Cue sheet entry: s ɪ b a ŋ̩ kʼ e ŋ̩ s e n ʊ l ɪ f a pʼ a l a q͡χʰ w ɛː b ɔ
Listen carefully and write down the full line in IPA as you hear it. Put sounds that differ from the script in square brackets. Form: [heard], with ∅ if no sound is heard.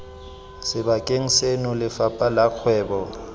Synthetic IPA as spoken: s ɪ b a [∅] kʼ e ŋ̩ s e n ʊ l ɪ f a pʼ a l a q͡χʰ w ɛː b ɔ